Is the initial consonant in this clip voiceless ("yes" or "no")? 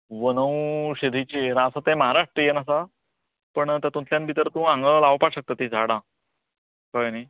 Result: no